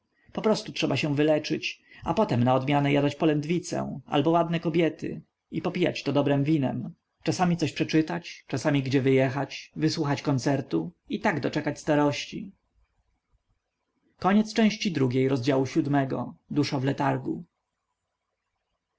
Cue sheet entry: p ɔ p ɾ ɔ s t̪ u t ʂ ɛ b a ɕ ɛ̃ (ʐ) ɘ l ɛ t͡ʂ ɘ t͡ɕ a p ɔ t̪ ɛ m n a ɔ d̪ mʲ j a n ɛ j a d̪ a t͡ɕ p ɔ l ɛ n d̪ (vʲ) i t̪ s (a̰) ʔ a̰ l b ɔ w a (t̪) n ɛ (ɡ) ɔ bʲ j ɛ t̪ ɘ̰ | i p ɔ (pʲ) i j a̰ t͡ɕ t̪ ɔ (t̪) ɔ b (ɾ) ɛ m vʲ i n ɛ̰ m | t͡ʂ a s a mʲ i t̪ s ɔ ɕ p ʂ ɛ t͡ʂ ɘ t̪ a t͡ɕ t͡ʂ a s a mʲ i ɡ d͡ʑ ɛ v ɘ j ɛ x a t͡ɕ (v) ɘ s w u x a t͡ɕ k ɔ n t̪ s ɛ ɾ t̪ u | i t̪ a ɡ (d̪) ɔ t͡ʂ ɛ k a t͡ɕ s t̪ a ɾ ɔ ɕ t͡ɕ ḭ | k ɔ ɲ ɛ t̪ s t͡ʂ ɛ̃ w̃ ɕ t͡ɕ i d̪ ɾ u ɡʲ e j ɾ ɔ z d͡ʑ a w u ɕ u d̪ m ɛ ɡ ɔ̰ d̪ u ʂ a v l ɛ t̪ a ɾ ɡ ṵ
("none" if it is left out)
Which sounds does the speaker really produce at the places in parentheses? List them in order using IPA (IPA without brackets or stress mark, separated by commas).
v, vʲ, ɛ̰, d̪, k, pʲ, d̪, ɾ, v, d̪